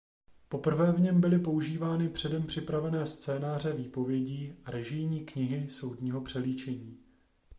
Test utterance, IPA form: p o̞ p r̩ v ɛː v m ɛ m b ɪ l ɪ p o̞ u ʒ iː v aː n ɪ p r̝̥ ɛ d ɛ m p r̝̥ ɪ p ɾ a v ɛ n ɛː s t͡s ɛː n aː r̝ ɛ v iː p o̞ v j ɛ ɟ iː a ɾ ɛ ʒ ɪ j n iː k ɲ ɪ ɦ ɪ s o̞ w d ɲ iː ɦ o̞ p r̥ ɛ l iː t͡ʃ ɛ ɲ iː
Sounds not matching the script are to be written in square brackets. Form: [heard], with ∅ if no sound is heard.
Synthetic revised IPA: p o̞ p r̩ v ɛː v [ɲ] ɛ m b ɪ l ɪ p o̞ u ʒ iː v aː n ɪ p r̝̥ ɛ d ɛ m p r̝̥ ɪ p ɾ a v ɛ n ɛː s t͡s ɛː n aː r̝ ɛ v iː p o̞ v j ɛ ɟ iː a ɾ ɛ ʒ ɪ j [ɲ] iː k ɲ ɪ ɦ ɪ s o̞ w d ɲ iː ɦ o̞ p r̥ ɛ l iː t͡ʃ ɛ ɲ iː

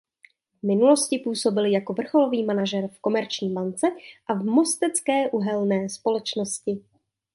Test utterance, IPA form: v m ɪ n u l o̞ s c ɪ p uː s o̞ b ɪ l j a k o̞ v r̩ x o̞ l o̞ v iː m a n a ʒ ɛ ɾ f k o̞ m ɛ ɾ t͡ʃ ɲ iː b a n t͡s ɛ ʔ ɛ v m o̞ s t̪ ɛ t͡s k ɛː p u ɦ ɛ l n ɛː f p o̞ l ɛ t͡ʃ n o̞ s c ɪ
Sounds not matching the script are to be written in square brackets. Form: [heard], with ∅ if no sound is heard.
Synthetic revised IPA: v m ɪ n u l o̞ s c ɪ p uː s o̞ b ɪ l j a k o̞ v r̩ x o̞ l o̞ v iː m a n a ʒ ɛ ɾ f k o̞ m ɛ ɾ t͡ʃ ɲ iː b a n t͡s ɛ ʔ [a] v m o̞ s t̪ ɛ t͡s k ɛː [ʔ] u ɦ ɛ l n ɛː [s] p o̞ l ɛ t͡ʃ n o̞ s c ɪ

